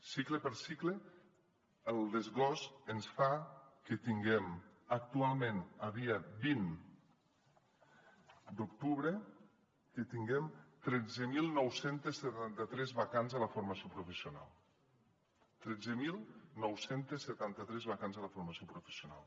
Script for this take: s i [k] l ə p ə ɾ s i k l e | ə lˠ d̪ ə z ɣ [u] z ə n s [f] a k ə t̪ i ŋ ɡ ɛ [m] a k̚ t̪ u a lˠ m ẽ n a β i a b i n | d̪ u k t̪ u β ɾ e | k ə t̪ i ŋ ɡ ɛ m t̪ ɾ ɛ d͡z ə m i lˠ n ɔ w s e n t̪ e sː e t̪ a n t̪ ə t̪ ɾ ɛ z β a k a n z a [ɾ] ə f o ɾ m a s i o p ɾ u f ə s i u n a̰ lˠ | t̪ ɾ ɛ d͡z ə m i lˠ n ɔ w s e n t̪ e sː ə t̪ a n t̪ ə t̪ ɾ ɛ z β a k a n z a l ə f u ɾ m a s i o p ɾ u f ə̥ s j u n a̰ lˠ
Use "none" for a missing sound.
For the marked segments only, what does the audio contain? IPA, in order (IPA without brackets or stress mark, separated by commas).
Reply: k, ɔ, f, m, l